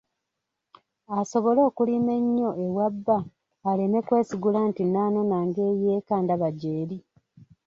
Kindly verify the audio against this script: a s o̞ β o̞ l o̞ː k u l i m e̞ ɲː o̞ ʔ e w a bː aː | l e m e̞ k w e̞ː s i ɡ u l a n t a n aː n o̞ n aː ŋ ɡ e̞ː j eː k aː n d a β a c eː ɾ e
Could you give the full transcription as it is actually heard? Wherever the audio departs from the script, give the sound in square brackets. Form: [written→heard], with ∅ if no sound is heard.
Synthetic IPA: a s o̞ β o̞ l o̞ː k u l i m e̞ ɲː o̞ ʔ e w a bː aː | l e m e̞ k w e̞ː s i ɡ u l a n t [a→i] n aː n o̞ n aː ŋ ɡ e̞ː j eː k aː n d a β a [c→ɟ] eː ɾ [e→i]